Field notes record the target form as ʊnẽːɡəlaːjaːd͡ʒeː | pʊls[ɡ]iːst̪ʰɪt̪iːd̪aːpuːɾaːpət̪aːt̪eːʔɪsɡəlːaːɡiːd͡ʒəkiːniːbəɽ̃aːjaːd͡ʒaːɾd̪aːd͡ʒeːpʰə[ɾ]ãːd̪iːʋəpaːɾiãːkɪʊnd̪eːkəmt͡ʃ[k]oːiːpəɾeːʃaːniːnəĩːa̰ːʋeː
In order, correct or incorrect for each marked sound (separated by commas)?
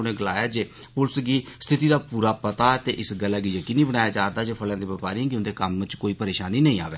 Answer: correct, incorrect, correct